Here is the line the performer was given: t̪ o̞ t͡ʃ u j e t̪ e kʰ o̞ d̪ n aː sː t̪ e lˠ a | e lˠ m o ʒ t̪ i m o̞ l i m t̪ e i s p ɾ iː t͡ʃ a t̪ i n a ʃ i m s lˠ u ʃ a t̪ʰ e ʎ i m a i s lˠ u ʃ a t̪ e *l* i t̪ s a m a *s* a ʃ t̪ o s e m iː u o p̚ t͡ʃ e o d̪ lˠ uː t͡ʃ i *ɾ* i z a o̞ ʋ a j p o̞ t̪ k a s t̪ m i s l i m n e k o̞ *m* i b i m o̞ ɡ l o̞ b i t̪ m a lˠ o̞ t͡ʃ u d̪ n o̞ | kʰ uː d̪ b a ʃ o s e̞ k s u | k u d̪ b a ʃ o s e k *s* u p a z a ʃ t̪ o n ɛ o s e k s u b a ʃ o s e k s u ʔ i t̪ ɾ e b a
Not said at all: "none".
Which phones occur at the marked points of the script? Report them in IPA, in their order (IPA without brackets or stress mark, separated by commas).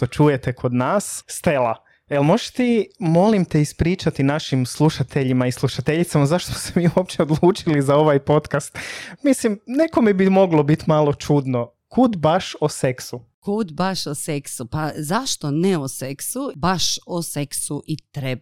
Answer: ʎ, z, l, m, s